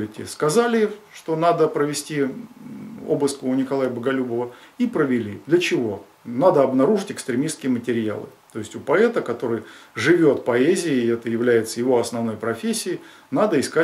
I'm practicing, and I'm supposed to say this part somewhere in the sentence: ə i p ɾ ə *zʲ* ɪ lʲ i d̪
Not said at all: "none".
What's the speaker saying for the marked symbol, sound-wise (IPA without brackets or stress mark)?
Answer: vʲ